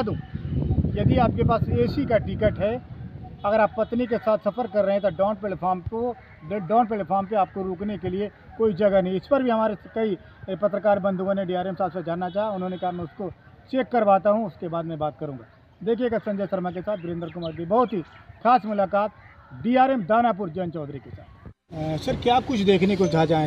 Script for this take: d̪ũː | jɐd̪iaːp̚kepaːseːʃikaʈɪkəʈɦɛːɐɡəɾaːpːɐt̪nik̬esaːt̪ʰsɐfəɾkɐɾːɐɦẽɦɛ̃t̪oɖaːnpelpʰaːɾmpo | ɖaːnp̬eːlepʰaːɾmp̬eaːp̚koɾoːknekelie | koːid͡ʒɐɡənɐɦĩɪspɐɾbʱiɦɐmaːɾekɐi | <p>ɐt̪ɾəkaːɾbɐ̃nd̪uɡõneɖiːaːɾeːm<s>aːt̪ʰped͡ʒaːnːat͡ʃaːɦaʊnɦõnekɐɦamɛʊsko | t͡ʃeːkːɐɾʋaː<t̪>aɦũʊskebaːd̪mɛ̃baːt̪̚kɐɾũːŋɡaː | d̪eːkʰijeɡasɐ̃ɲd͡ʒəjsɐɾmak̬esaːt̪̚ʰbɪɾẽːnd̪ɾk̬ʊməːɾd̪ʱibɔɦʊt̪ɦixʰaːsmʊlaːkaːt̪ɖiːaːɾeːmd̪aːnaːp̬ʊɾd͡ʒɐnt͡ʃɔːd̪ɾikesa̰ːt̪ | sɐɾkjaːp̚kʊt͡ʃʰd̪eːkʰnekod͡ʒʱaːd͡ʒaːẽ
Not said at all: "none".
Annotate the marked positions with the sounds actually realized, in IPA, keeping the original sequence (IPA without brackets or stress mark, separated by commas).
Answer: p, s, t̪